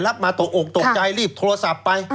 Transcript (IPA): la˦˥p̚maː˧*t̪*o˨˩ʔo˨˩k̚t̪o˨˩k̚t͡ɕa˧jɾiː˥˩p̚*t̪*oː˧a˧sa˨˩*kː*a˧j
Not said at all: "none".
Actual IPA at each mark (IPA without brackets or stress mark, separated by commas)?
t̪, t̪ʰ, pː